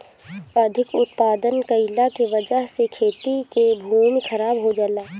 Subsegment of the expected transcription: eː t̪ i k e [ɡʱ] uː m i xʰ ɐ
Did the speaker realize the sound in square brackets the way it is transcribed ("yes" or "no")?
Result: no